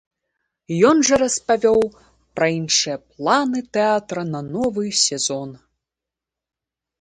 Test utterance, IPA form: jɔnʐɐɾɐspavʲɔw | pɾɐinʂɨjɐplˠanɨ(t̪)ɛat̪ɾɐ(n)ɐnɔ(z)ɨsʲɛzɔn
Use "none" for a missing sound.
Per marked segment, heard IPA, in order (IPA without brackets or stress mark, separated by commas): t̪, n, v